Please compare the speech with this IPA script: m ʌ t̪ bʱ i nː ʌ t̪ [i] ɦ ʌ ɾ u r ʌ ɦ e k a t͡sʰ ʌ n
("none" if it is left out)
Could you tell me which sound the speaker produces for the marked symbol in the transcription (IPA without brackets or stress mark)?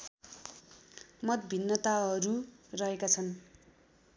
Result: a